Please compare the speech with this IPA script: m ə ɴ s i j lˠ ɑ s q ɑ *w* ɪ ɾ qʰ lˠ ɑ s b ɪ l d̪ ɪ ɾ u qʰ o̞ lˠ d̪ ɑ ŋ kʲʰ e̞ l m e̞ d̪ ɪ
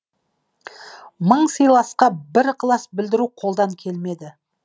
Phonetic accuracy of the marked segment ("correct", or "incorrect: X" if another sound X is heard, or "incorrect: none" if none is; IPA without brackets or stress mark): incorrect: b